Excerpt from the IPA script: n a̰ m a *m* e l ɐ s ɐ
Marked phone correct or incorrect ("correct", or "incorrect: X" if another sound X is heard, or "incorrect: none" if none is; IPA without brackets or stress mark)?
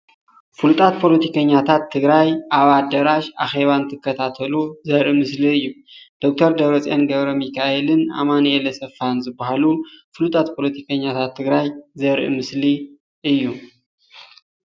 incorrect: n